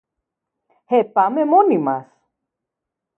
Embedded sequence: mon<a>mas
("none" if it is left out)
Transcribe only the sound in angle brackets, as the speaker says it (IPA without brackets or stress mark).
i